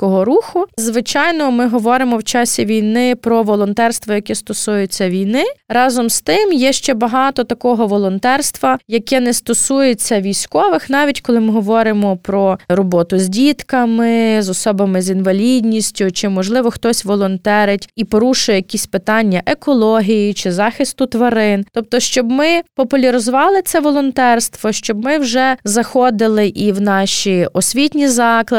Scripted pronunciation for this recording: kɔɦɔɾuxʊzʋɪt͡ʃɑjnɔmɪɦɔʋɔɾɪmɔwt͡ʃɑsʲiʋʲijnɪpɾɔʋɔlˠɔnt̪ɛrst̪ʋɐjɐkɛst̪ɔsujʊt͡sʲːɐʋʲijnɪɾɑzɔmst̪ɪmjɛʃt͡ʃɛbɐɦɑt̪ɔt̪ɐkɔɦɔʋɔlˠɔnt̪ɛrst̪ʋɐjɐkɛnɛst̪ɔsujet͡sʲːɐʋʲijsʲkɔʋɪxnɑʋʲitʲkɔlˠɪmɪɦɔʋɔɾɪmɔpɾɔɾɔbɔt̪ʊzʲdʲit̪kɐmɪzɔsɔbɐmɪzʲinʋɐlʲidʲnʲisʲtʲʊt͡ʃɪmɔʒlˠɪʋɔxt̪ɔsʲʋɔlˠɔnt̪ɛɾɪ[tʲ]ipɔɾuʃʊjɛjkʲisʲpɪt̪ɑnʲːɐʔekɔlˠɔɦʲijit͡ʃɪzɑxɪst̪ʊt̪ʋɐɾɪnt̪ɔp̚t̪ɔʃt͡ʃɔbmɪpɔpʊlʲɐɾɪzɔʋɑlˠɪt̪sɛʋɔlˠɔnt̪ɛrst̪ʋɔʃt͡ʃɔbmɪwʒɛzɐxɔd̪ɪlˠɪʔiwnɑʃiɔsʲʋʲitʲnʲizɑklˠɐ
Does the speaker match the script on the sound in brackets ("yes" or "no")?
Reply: yes